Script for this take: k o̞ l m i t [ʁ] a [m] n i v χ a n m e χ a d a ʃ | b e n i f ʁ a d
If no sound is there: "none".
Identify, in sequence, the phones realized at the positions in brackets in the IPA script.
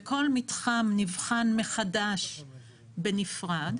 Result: χ, m

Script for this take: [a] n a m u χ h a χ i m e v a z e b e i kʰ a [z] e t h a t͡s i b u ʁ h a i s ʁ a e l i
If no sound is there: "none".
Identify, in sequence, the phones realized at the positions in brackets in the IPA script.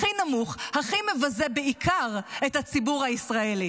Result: i, ʁ

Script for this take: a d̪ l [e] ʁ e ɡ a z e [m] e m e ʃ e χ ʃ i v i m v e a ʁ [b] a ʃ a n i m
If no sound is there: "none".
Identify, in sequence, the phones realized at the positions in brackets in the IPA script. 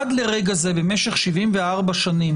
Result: e, b, b

